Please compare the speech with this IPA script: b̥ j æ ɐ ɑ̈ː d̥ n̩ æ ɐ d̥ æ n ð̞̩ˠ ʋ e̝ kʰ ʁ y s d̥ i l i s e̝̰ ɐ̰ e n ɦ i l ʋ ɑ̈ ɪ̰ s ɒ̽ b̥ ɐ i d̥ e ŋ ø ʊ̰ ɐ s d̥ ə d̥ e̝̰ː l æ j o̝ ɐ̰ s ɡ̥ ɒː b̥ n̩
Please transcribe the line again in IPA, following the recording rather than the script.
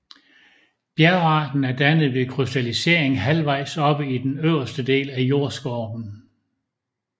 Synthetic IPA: b̥ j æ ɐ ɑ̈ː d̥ n̩ æ ɐ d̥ æ n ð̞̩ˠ ʋ e̝ kʰ ʁ y s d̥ æ l i s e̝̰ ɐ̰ e ŋ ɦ æ l ʋ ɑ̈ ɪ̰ s ɒ̽ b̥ ə i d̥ e n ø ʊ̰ ɐ s d̥ ə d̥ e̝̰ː l æ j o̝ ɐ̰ s ɡ̥ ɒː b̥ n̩